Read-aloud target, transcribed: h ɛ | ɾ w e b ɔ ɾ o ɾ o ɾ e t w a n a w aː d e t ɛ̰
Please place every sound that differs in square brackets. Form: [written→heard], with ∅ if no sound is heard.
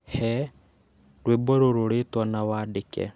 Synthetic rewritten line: h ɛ | ɾ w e b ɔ ɾ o ɾ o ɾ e t w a n a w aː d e [t→k] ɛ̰